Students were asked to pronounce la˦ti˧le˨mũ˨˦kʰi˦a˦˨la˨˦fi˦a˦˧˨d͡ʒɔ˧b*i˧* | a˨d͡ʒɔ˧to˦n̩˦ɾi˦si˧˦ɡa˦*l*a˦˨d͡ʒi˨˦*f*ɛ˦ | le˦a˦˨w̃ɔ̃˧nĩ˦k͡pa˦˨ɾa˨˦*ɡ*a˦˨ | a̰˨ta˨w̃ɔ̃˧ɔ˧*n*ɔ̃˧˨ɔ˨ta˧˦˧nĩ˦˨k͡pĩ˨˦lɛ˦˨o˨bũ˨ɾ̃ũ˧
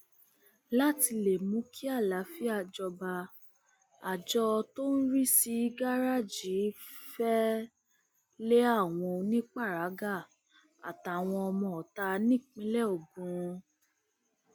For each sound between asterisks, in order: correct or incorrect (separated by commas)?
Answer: incorrect, incorrect, correct, correct, incorrect